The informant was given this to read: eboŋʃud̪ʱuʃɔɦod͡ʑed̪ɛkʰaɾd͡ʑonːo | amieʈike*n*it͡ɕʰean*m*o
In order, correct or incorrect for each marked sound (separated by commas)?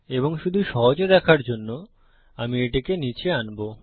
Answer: correct, incorrect